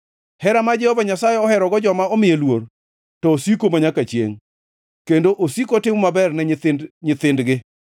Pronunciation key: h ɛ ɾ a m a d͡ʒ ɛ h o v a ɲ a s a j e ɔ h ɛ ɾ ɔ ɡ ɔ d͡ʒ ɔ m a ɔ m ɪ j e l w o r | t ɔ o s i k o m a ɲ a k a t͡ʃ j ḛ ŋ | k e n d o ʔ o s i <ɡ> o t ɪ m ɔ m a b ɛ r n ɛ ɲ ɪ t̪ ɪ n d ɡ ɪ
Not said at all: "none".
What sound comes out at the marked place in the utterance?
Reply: k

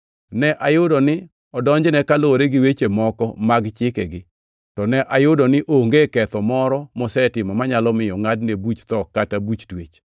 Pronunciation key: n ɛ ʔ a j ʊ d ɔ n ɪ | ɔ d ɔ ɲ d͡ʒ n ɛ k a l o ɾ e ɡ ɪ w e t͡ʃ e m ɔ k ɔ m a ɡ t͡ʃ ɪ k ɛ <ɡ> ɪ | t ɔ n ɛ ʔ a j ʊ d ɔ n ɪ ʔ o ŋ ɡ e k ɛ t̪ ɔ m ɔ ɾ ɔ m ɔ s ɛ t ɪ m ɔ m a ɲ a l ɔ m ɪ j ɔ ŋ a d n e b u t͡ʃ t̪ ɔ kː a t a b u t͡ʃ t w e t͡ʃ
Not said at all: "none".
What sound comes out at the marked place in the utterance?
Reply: ɡ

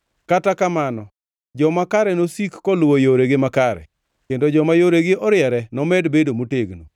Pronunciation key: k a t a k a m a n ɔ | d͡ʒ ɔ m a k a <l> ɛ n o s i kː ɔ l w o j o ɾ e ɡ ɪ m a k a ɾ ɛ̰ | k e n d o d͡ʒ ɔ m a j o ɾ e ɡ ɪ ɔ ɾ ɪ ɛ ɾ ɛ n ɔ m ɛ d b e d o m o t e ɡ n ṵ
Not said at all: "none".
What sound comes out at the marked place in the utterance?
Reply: ɾ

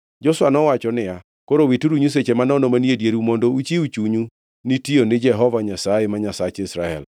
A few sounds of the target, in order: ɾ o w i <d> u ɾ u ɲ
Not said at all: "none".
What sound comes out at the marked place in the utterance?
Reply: t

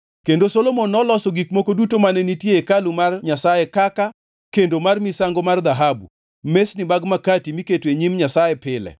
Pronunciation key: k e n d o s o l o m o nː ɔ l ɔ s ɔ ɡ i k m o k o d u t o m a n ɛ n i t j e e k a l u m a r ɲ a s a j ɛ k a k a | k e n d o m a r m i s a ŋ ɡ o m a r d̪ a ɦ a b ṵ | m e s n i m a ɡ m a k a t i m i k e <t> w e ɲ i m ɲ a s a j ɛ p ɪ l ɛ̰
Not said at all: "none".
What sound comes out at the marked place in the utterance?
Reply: t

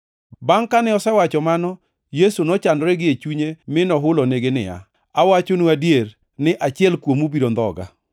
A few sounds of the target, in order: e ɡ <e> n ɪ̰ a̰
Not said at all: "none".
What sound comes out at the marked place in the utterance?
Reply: e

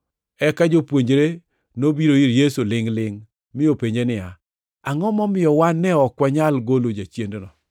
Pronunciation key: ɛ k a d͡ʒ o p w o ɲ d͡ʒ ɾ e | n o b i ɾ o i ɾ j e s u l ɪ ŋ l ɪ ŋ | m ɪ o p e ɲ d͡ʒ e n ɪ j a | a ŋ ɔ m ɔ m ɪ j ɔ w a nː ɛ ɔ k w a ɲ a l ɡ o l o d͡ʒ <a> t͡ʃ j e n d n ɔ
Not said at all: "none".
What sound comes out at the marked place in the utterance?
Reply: a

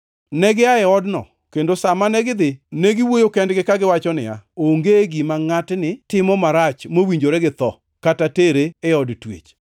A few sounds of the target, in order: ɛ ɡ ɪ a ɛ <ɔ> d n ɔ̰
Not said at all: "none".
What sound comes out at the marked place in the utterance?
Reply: ɔ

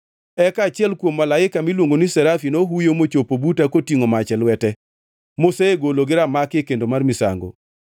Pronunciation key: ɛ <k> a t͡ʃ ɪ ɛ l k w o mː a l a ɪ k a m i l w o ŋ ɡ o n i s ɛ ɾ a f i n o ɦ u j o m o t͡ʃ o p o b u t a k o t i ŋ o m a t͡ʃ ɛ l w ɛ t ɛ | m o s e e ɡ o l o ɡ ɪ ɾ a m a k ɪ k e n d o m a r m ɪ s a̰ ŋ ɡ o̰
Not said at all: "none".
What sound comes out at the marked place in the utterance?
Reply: k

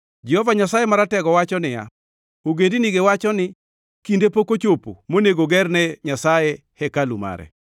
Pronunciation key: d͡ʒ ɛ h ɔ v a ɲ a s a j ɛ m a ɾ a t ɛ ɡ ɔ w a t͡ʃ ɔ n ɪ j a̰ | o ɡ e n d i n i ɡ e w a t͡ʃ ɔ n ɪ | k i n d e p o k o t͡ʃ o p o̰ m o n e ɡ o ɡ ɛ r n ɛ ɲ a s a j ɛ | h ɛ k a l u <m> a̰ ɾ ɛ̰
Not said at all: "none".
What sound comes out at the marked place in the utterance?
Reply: m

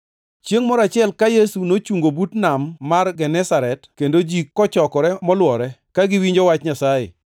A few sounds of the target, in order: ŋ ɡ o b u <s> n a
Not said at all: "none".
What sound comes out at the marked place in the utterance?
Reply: t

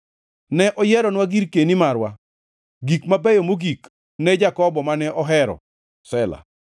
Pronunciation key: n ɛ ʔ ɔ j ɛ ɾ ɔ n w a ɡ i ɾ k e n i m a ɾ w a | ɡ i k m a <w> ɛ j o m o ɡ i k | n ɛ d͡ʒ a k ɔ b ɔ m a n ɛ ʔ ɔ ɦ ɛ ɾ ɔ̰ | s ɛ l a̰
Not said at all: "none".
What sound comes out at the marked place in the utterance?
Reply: b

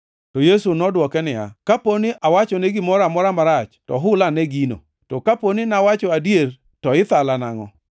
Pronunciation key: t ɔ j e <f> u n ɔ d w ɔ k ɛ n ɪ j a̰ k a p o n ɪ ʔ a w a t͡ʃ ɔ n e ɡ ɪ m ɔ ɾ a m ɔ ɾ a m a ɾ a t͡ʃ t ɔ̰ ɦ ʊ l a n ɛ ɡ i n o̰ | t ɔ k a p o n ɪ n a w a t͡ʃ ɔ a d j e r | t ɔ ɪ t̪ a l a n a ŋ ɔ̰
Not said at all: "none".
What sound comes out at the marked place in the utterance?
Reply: s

